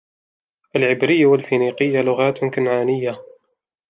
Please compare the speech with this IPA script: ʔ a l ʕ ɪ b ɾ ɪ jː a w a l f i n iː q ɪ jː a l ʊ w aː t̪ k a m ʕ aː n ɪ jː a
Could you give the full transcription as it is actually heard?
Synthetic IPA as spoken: ʔ a l ʕ ɪ b ɾ ɪ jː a w a l f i n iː q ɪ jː a l ʊ ɣ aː t̪ k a n ʕ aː n ɪ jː a